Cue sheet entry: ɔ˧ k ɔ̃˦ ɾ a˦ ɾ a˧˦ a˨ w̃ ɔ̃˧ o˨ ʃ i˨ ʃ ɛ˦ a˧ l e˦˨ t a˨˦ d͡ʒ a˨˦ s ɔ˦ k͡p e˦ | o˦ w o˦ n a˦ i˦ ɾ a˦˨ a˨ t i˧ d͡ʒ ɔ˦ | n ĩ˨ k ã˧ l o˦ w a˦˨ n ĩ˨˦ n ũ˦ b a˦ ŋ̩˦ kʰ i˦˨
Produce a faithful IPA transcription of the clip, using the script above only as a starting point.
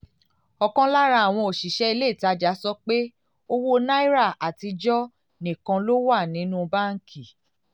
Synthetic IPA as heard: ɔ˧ k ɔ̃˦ l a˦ ɾ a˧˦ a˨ w̃ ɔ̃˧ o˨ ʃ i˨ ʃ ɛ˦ i˧ l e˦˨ t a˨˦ d͡ʒ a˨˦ s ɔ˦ k͡p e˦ | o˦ w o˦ n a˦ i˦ ɾ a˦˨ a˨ t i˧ d͡ʒ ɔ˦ | n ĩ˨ k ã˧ l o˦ w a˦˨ n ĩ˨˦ n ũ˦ b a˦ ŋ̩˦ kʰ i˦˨